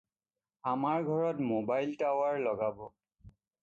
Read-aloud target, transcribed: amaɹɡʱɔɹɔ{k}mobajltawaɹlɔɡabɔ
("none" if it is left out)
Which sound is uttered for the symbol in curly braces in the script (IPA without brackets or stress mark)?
t